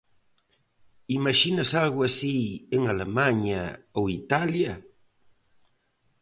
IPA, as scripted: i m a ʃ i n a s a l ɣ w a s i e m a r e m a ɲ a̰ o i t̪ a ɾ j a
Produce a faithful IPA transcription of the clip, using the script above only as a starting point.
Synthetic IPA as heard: i m a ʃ i n a s a l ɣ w a s i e ŋ a l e m a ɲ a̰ o i t̪ a l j a